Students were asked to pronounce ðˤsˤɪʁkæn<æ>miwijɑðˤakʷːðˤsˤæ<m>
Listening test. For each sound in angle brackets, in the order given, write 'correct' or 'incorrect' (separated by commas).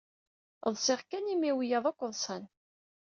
incorrect, incorrect